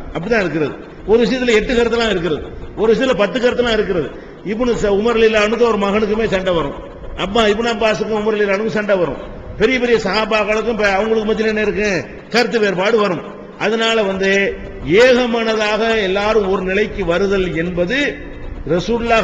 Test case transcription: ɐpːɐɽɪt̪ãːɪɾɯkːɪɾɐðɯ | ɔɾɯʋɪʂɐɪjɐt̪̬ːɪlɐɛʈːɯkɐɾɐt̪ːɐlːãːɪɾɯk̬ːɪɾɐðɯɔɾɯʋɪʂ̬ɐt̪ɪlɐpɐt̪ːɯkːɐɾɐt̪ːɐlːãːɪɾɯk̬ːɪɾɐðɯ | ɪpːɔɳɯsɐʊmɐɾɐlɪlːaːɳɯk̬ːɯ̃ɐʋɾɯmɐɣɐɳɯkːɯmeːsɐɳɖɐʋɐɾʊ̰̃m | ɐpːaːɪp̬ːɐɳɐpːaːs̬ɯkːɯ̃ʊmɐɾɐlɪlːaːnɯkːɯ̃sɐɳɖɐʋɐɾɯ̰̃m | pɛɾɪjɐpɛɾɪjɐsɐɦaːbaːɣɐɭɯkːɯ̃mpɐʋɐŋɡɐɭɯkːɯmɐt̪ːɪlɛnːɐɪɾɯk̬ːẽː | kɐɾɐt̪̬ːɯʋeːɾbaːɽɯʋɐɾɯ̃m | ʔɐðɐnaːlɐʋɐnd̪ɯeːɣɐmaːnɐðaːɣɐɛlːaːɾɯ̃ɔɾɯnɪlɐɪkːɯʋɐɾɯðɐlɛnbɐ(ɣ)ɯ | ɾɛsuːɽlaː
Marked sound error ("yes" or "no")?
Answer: yes